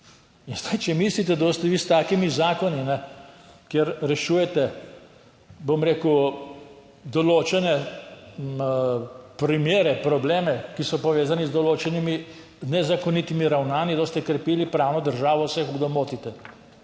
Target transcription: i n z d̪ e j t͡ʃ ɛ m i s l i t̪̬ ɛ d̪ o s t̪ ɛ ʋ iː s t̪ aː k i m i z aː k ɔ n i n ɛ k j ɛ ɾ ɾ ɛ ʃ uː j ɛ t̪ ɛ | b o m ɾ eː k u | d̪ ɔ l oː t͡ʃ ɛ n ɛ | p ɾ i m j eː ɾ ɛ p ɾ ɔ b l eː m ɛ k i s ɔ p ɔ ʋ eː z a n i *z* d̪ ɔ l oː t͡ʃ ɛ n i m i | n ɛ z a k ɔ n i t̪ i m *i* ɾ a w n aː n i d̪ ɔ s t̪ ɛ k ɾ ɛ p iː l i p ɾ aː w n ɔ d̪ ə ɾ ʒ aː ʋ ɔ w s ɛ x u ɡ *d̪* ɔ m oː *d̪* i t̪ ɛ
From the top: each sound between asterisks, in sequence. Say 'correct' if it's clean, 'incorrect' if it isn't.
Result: correct, correct, correct, incorrect: t̪

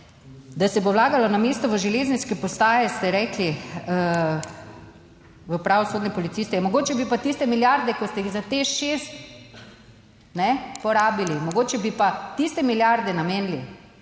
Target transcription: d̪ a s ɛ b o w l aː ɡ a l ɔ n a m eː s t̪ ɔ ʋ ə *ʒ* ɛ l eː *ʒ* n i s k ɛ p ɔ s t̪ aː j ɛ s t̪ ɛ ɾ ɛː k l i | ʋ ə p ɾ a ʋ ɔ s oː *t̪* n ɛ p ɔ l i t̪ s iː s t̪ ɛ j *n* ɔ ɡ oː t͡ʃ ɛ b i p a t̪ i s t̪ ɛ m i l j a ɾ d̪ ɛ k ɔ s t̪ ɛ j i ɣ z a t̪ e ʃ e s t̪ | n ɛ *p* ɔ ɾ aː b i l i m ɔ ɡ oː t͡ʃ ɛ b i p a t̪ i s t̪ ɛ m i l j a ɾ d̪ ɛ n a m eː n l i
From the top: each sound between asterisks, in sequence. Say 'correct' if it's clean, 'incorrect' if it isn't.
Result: correct, incorrect: z, incorrect: d̪, incorrect: m, correct

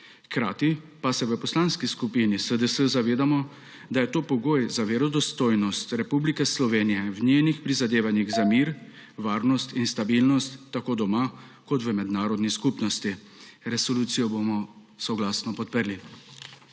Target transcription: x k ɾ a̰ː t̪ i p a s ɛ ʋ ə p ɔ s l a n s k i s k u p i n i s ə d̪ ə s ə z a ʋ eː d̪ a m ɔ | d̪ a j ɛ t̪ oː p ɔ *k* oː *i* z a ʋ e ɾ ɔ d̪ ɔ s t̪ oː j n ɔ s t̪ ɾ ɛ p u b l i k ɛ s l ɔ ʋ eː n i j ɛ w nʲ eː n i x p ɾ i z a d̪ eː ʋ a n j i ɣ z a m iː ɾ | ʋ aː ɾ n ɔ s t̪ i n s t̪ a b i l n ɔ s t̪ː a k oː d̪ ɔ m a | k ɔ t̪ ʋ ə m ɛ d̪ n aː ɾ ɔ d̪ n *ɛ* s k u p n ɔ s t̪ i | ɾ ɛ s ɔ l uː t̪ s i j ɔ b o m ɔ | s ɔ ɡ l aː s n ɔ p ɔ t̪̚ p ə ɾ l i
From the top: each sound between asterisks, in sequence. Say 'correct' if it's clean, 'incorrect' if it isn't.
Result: incorrect: ɡ, incorrect: j, incorrect: i

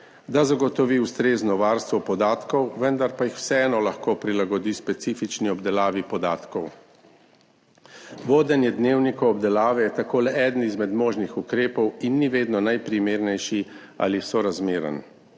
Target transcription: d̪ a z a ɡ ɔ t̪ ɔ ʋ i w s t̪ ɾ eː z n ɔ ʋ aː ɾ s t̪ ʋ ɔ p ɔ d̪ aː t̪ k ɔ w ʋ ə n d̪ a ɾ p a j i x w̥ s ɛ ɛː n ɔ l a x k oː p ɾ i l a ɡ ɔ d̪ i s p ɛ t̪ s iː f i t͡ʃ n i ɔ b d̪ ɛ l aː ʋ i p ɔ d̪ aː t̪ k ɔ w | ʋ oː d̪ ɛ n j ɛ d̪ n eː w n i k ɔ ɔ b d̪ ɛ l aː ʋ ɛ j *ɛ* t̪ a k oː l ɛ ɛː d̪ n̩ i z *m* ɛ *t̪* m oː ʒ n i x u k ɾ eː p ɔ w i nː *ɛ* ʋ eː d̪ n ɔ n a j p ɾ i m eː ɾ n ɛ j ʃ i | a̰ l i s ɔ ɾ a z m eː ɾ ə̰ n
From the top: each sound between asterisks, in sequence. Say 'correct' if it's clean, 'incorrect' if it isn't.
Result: correct, correct, incorrect: d̪, incorrect: i

